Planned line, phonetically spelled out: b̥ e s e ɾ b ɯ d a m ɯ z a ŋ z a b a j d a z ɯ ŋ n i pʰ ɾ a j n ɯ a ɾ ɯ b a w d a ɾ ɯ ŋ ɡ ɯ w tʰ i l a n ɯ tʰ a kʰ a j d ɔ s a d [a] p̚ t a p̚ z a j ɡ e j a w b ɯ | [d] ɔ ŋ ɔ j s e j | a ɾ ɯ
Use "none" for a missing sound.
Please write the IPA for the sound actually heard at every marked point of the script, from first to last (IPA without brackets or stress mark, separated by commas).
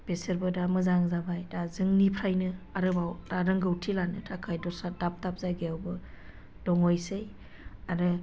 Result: a, d